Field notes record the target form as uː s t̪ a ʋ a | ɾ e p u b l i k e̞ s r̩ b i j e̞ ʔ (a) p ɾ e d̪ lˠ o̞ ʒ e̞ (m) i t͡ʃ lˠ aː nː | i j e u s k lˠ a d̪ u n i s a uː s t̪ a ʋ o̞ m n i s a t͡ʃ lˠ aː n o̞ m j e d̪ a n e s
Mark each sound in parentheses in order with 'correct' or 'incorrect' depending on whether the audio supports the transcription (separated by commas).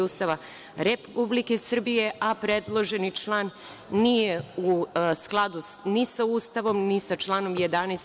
correct, incorrect